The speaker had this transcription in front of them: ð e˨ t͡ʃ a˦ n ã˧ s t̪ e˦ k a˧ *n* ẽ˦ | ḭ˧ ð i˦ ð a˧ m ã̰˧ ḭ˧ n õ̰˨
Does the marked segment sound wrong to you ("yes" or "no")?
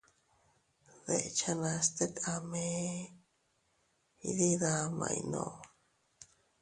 yes